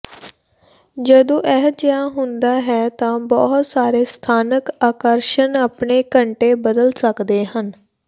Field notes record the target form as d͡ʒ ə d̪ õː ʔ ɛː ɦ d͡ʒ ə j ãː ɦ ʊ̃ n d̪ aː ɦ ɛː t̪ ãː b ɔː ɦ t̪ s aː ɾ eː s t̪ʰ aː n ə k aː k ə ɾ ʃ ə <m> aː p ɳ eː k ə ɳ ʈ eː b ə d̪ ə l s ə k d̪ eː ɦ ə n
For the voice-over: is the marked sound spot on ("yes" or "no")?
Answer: no